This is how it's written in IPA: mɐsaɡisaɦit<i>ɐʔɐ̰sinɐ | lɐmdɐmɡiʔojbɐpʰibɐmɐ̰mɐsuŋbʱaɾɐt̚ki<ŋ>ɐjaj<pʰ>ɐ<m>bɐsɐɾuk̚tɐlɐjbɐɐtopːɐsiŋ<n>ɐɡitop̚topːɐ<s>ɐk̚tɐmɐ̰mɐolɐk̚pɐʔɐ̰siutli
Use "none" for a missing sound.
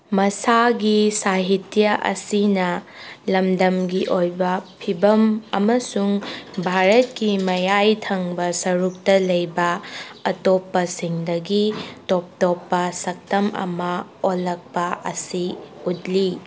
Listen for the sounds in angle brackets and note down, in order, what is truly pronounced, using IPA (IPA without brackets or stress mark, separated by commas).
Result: j, m, tʰ, ŋ, d, s